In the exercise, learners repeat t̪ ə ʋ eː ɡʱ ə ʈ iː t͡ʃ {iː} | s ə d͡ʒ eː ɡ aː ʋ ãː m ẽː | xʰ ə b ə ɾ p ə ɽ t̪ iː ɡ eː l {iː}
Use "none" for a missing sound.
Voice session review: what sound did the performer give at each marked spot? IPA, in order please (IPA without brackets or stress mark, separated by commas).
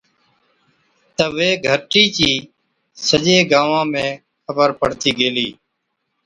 iː, iː